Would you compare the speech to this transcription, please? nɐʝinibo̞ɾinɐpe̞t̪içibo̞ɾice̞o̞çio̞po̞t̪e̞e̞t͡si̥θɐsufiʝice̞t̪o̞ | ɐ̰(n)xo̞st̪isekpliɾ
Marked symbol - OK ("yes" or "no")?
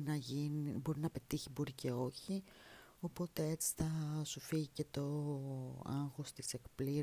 no